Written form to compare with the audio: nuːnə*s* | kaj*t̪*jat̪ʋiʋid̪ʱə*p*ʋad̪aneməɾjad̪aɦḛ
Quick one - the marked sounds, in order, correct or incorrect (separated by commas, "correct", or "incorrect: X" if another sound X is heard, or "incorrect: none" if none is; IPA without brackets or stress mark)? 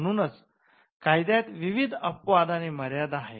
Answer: incorrect: t͡s, incorrect: d̪, correct